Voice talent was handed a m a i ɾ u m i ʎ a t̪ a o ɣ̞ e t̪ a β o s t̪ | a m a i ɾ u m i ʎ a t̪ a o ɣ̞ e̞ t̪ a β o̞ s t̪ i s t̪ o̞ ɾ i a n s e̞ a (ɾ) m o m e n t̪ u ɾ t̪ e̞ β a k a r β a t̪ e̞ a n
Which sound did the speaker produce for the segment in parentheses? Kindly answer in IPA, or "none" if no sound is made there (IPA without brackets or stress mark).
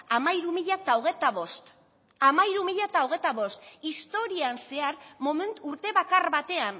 ɾ